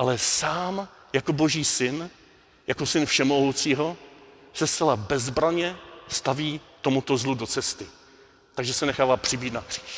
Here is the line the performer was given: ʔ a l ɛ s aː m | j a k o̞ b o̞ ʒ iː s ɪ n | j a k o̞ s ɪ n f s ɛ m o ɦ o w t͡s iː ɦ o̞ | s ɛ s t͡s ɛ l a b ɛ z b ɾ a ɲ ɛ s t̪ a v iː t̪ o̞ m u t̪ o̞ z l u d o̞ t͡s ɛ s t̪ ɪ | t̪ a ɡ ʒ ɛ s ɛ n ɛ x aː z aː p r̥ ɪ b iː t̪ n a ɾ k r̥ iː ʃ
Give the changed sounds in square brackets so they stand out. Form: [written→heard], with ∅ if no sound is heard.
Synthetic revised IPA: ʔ a l ɛ s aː m | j a k o̞ b o̞ ʒ iː s ɪ n | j a k o̞ s ɪ n f [s→ʃ] ɛ m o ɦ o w t͡s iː ɦ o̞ | s ɛ s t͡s ɛ l a b ɛ z b ɾ a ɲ ɛ s t̪ a v iː t̪ o̞ m u t̪ o̞ z l u d o̞ t͡s ɛ s t̪ ɪ | t̪ a ɡ ʒ ɛ s ɛ n ɛ x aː [z→v] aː p r̥ ɪ b iː t̪ n a [ɾ→∅] k r̥ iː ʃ